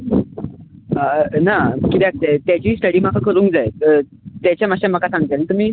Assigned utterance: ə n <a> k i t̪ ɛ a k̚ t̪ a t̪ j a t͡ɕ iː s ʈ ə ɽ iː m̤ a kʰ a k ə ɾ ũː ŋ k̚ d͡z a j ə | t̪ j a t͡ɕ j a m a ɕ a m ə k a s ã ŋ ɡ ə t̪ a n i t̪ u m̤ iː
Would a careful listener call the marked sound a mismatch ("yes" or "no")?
no